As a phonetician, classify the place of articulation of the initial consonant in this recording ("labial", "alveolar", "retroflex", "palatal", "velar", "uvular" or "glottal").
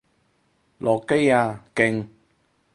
alveolar